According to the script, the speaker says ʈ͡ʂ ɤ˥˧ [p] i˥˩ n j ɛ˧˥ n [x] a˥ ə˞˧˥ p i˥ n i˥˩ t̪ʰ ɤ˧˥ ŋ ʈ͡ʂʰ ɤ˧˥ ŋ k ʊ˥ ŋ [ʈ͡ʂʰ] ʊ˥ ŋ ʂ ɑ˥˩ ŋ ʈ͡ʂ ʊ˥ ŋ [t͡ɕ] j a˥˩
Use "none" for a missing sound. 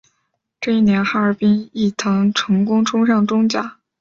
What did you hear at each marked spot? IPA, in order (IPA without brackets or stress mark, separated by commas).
none, x, ʈ͡ʂʰ, t͡ɕ